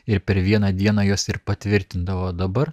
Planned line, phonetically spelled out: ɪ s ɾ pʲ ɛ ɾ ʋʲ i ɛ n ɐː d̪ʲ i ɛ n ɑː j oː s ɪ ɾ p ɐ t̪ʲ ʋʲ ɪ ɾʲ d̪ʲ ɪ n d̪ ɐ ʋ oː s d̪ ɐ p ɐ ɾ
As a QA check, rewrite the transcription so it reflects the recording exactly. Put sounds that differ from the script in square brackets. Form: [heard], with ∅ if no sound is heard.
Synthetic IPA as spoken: ɪ [∅] ɾ pʲ ɛ ɾ ʋʲ i ɛ n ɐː d̪ʲ i ɛ n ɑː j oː s ɪ ɾ p ɐ t̪ʲ ʋʲ ɪ ɾʲ [t̪ʲ] ɪ n d̪ ɐ ʋ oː [∅] d̪ ɐ [b] ɐ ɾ